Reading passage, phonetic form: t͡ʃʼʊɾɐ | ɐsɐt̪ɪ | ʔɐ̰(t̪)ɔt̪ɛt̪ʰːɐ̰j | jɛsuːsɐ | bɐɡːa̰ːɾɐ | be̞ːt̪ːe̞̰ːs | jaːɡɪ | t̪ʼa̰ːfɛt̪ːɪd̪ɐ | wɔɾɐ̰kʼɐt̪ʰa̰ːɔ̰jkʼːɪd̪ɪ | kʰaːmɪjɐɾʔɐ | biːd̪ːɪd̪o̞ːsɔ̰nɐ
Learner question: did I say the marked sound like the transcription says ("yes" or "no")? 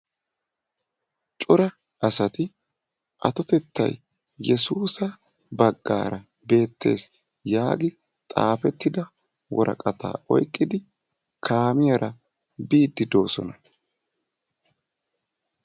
yes